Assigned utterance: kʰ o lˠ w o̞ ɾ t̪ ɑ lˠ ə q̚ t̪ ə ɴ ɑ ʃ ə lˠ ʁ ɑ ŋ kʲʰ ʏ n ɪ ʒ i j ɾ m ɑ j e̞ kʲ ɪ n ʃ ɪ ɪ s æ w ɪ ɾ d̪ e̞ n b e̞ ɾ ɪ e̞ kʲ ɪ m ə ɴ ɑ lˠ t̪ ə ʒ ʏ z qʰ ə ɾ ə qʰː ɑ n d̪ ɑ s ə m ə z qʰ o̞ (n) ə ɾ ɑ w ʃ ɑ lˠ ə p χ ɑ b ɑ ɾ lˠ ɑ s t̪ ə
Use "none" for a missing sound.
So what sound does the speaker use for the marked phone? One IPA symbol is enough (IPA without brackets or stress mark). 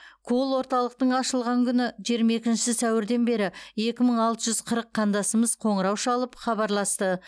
ɴ